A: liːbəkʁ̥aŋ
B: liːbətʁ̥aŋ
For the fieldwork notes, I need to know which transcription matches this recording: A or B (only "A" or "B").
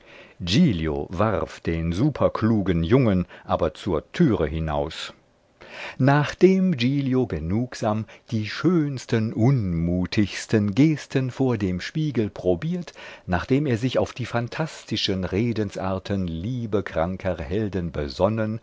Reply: A